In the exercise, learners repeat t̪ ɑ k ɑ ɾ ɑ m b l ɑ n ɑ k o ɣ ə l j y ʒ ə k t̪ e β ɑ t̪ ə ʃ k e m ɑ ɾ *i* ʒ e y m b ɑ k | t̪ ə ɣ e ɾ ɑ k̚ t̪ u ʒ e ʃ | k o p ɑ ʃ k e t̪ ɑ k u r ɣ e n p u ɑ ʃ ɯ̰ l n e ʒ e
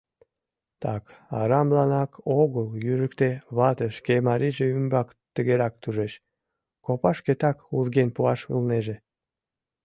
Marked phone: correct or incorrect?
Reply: correct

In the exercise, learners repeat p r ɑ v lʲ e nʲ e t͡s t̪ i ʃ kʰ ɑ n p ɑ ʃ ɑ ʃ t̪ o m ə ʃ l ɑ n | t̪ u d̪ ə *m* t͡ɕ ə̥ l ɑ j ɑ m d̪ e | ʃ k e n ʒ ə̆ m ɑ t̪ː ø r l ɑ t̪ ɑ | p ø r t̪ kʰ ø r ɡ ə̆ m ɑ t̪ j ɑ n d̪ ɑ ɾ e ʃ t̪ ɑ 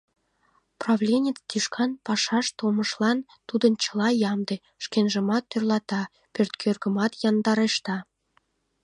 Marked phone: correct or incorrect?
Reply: incorrect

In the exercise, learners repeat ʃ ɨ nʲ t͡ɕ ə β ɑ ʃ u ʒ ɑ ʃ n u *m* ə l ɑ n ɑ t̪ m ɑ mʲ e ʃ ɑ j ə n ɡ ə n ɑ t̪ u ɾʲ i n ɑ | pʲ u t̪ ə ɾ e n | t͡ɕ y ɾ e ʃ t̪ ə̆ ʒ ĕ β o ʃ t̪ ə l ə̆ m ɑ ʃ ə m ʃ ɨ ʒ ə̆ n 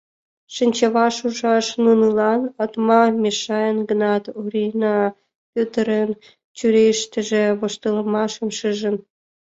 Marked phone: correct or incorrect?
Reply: incorrect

